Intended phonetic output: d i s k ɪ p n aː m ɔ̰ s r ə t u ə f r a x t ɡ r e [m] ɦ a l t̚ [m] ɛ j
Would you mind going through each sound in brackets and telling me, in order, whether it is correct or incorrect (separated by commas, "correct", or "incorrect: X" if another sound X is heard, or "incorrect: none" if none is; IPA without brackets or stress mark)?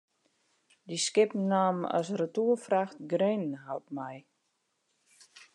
incorrect: n, correct